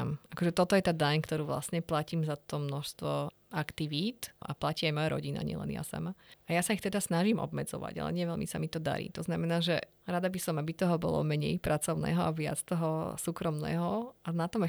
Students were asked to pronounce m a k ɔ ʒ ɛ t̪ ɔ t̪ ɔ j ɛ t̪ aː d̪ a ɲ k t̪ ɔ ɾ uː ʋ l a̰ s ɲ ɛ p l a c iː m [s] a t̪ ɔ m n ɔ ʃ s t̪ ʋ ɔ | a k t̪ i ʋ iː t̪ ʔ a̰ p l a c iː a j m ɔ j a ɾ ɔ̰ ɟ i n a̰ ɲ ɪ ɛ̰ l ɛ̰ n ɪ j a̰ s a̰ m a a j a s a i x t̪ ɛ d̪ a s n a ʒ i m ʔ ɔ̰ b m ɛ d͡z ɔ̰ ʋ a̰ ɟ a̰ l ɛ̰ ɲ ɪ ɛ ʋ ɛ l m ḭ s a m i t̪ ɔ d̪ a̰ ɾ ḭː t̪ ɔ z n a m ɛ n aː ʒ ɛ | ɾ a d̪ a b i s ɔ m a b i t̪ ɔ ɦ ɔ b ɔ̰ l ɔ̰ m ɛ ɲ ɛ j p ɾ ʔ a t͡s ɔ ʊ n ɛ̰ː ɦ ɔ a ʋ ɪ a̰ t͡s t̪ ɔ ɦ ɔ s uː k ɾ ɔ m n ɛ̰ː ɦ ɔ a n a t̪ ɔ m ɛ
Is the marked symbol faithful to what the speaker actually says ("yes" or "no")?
no